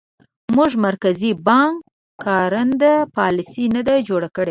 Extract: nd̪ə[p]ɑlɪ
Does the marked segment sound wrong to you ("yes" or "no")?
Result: no